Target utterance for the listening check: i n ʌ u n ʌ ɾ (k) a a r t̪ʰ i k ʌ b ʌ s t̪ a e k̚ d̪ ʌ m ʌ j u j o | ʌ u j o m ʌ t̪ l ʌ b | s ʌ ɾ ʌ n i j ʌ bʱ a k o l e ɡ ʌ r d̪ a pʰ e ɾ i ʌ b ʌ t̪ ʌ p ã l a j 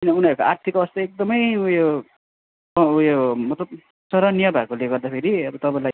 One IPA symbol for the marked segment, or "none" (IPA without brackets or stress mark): k